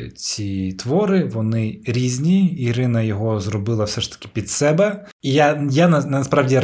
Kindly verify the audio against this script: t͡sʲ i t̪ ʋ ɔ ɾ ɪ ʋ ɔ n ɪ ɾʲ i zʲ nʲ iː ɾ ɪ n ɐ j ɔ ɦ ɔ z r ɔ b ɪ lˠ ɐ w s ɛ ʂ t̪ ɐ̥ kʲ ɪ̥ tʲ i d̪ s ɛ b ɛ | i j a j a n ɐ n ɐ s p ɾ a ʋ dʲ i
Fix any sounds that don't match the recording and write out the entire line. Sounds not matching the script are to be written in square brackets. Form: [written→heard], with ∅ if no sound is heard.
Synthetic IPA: t͡sʲ i t̪ ʋ ɔ ɾ ɪ ʋ ɔ n ɪ ɾʲ i zʲ nʲ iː ɾ ɪ n ɐ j ɔ ɦ ɔ z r ɔ b ɪ lˠ ɐ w s ɛ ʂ t̪ ɐ̥ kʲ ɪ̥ [tʲ→pʲ] i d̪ s ɛ b ɛ | i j a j a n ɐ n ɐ s p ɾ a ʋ dʲ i